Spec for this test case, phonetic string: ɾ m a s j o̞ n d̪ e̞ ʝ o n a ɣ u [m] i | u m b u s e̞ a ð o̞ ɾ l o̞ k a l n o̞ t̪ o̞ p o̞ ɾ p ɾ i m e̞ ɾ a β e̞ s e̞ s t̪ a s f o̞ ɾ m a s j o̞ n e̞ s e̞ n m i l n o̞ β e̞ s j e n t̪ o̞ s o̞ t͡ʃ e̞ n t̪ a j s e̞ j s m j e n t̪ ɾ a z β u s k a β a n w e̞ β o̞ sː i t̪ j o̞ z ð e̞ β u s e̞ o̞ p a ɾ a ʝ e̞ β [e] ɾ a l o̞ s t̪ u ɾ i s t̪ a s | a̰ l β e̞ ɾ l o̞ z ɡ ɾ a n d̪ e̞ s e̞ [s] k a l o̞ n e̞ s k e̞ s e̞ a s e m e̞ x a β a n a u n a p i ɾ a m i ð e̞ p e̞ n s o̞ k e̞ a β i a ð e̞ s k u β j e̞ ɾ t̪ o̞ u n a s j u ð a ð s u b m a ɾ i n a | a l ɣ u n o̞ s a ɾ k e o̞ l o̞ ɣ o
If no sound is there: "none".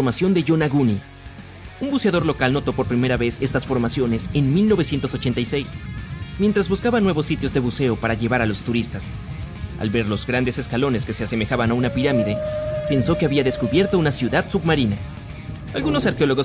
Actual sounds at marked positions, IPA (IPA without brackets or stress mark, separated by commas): n, a, s